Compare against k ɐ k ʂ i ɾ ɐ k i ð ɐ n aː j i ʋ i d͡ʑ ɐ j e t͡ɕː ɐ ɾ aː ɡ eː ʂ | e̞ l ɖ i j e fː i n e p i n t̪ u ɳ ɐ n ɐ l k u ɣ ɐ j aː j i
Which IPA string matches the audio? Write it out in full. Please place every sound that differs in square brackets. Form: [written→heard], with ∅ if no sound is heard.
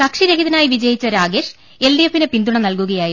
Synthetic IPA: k ɐ k ʂ i ɾ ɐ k i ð ɐ n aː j i ʋ i d͡ʑ ɐ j [e→i] t͡ɕː ɐ ɾ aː ɡ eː ʂ | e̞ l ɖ i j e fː i n e p i n [t̪→d̪] u ɳ ɐ n ɐ l k u ɣ ɐ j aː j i